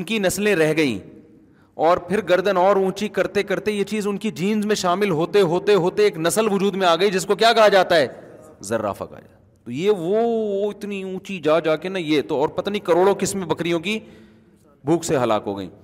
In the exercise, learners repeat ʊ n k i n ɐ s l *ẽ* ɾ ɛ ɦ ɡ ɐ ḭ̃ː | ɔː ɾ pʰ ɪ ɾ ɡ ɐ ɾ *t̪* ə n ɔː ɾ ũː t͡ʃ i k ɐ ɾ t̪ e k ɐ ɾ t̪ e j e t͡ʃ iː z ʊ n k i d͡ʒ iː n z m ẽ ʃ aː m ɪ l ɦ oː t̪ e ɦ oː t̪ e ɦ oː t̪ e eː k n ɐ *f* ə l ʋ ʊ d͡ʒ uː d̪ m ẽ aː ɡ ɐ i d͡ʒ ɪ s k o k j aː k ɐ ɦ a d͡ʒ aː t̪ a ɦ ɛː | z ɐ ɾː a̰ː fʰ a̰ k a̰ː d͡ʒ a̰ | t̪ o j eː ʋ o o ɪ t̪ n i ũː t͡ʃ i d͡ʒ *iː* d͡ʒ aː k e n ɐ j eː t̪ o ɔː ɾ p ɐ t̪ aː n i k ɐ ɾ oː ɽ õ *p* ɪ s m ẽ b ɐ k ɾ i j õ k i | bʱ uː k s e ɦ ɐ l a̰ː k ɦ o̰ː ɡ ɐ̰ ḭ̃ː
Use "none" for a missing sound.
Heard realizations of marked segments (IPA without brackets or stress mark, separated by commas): ẽ, d̪, s, aː, k